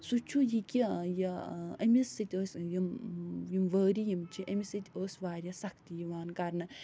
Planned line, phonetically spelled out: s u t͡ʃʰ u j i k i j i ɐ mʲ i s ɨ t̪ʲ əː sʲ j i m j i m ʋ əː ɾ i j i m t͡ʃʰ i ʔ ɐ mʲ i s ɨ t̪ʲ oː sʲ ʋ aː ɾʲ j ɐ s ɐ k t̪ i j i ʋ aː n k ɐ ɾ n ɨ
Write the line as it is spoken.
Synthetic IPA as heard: s u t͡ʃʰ u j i k i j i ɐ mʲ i s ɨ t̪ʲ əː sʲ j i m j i m ʋ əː ɾ i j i m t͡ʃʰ i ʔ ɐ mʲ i s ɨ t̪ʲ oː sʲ ʋ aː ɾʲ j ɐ s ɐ k t̪ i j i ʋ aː n k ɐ ɾ n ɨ

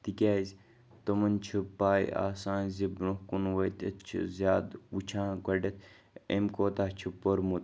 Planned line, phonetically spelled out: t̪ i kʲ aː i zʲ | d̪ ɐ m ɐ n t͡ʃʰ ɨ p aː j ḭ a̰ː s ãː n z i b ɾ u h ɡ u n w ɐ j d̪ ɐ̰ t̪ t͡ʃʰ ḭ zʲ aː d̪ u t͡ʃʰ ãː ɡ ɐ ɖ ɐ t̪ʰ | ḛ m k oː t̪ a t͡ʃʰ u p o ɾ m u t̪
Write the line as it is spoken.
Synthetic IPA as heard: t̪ i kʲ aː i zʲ | t̪ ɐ m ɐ n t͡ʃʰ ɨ p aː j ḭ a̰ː s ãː n z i b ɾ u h k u n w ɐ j t̪ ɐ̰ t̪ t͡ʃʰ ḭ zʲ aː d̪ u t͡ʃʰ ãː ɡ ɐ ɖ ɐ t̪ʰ | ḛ m k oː t̪ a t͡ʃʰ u p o ɾ m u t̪

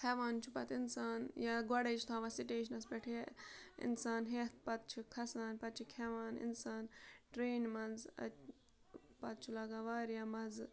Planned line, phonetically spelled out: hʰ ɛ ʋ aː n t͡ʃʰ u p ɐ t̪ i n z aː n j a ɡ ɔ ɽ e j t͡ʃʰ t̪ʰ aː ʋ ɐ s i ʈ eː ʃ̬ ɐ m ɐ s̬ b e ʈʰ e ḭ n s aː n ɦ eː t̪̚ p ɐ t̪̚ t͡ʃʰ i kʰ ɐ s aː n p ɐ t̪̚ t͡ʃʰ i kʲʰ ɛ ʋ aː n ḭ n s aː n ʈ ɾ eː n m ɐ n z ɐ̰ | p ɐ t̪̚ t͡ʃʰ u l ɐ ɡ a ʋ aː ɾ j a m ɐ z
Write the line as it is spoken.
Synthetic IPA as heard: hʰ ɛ ʋ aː n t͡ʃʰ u p ɐ t̪ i n s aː n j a ɡ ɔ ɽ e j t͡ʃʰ t̪ʰ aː ʋ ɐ s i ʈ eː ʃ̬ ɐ n ɐ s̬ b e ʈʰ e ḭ n s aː n ɦ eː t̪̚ p ɐ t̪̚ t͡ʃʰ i kʰ ɐ s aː n p ɐ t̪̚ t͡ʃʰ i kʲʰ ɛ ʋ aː n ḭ n s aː n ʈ ɾ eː n m ɐ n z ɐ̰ | p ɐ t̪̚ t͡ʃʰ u l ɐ ɡ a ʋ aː ɾ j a m ɐ z

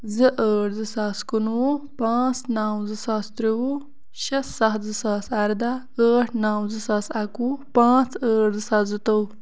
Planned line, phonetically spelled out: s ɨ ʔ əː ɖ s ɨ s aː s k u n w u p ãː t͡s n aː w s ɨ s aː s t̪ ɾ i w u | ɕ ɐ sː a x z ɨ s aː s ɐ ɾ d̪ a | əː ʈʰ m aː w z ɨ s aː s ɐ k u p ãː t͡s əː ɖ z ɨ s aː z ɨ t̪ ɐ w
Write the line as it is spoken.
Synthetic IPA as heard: z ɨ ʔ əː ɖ z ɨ s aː s k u n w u p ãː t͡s n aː w z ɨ s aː s t̪ ɾ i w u | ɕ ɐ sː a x z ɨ s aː s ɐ ɾ d̪ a | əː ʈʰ n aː w z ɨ s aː s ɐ k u p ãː t͡s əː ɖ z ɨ s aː z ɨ t̪ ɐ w

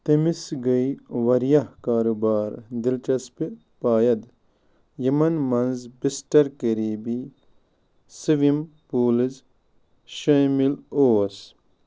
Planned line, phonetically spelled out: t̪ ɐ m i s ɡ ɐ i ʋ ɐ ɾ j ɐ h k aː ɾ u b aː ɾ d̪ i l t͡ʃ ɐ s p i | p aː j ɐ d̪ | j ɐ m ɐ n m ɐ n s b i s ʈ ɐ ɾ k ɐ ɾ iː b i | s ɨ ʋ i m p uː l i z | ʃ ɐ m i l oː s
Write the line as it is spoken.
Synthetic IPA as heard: t̪ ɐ m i s ɡ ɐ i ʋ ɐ ɾ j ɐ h k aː ɾ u b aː ɾ d̪ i l t͡ʃ ɐ s p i | p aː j ɐ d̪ | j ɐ m ɐ n m ɐ n z b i s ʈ ɐ ɾ k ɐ ɾ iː b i | s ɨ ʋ i m p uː l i z | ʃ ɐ m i l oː s

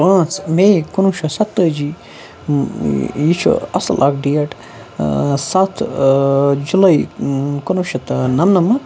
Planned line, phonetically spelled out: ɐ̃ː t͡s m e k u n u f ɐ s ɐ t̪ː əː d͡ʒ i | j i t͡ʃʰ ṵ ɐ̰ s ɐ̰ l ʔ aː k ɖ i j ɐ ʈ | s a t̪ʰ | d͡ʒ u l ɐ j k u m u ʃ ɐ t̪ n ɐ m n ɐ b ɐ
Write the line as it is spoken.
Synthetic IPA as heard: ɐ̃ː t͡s m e k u n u ʃ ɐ s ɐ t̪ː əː d͡ʒ i | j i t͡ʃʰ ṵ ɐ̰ s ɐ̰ l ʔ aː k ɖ i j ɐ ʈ | s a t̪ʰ | d͡ʒ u l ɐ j k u n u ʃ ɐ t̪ n ɐ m n ɐ m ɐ

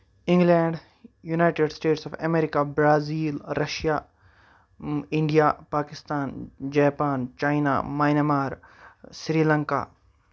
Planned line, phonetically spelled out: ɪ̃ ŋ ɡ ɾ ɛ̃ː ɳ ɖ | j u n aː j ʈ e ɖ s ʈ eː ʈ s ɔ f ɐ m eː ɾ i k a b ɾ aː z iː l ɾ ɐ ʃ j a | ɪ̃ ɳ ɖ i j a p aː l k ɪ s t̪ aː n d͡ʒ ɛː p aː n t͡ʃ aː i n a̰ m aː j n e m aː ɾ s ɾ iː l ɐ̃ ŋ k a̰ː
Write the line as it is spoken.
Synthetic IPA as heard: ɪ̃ ŋ ɡ l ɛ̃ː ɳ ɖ | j u n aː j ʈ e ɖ s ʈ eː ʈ s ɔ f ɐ m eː ɾ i k a b ɾ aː z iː l ɾ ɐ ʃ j a | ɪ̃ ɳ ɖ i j a p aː k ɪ s t̪ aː n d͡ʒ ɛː p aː n t͡ʃ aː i n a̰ m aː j n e m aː ɾ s ɾ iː l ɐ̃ ŋ k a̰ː

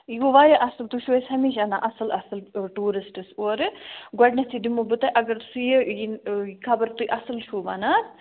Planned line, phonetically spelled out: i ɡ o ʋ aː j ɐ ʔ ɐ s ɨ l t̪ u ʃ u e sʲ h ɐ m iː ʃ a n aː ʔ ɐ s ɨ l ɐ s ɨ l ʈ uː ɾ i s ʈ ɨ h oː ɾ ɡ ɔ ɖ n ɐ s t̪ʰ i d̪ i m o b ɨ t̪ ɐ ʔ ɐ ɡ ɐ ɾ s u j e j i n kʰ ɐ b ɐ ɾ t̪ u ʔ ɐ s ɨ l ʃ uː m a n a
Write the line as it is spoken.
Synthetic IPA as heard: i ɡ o ʋ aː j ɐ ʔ ɐ s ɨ l t̪ u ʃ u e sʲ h ɐ m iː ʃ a n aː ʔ ɐ s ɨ l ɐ s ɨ l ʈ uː ɾ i s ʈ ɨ s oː ɾ ɡ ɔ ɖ n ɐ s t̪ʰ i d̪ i m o b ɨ t̪ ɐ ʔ ɐ ɡ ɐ ɾ s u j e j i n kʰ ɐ b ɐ ɾ t̪ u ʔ ɐ s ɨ l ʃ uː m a n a

